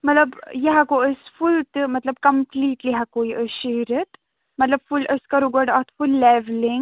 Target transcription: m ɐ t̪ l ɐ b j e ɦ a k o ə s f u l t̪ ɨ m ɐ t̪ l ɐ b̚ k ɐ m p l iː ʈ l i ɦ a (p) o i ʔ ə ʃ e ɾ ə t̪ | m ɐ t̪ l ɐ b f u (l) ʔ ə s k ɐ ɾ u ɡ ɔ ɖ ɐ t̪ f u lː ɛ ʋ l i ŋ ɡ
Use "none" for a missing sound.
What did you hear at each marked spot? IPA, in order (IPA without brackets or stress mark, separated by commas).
k, l